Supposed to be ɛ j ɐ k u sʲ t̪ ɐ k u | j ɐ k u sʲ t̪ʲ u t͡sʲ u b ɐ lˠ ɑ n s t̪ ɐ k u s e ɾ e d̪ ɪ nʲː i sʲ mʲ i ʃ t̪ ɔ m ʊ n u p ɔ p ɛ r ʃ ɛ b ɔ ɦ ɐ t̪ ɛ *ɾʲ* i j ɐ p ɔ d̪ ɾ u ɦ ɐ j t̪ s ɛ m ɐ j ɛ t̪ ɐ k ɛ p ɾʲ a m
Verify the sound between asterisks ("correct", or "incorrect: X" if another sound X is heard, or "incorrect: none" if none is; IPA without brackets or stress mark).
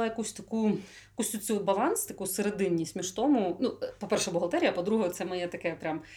correct